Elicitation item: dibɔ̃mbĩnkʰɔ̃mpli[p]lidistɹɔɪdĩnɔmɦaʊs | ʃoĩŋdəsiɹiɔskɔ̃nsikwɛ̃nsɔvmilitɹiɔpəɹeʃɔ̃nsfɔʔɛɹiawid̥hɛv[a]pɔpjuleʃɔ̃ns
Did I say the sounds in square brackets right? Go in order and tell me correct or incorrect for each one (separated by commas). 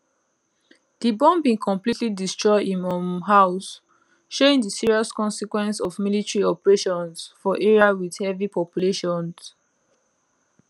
incorrect, incorrect